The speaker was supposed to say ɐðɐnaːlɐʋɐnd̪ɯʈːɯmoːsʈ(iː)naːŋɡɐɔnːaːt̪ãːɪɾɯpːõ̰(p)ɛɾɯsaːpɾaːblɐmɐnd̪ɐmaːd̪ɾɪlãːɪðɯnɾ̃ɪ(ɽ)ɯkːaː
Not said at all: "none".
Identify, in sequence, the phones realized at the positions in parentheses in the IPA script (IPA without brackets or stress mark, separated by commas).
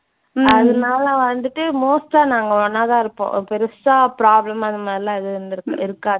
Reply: aː, p, ɾ